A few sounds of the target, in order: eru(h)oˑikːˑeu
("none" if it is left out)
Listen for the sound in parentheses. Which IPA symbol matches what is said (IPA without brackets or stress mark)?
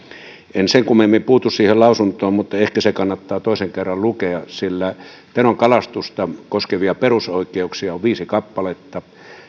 s